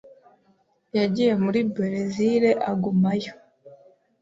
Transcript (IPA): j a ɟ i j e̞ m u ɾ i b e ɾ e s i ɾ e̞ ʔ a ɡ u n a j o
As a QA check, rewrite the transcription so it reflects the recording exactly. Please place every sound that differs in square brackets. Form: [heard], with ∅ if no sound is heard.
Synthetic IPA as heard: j a ɟ i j e̞ m u ɾ i b e ɾ e [z] i ɾ e̞ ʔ a ɡ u [m] a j o